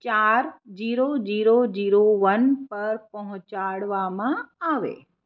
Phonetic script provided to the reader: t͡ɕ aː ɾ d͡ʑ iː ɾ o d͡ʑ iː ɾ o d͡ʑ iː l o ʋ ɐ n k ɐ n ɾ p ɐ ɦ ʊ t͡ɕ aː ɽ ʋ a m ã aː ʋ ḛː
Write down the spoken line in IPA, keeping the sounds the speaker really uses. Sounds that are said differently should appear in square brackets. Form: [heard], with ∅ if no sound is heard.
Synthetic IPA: t͡ɕ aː ɾ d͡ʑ iː ɾ o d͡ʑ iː ɾ o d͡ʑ iː [ɾ] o ʋ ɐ n [p] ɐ [∅] ɾ p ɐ ɦ ʊ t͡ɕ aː ɽ ʋ a m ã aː ʋ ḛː